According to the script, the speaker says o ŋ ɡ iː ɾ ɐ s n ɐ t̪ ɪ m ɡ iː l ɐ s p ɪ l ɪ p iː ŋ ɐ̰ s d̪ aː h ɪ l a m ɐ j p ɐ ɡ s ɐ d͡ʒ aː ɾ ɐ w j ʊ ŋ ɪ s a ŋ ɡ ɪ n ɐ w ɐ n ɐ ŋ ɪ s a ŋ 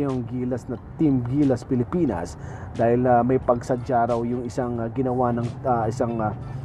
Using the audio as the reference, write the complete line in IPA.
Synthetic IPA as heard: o ŋ ɡ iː l ɐ s n ɐ t̪ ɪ m ɡ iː l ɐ s p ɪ l ɪ p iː n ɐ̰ s d̪ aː h ɪ l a m ɐ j p ɐ ɡ s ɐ d͡ʒ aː ɾ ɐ w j ʊ ŋ ɪ s a ŋ ɡ ɪ n ɐ w a n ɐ ŋ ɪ s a ŋ